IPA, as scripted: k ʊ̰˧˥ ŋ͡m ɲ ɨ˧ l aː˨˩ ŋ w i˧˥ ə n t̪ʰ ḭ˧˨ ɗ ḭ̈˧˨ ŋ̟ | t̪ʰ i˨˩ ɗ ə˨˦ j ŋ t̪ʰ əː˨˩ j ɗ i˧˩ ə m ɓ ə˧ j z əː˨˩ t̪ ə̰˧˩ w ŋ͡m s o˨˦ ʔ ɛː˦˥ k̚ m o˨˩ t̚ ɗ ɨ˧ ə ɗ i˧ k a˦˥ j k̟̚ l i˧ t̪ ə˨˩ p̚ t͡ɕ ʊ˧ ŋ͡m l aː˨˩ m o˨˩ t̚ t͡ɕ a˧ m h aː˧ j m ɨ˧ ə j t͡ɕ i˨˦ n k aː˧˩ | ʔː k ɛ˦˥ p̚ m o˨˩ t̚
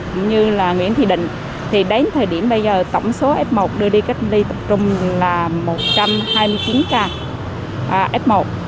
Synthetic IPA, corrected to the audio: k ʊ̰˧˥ ŋ͡m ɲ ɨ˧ l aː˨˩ ŋ w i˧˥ ə n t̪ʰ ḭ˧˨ ɗ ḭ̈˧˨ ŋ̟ | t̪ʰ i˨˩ ɗ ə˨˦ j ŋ t̪ʰ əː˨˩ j ɗ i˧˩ ə m ɓ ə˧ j z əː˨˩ t̪ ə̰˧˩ w ŋ͡m s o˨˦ ʔ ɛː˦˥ p̚ m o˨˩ t̚ ɗ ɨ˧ ə ɗ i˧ k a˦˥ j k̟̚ l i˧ t̪ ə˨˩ p̚ t͡ɕ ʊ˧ ŋ͡m l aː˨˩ m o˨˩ t̚ t͡ɕ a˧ m h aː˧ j m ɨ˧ ə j t͡ɕ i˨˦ n k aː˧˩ | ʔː ʔ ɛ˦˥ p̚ m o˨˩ t̚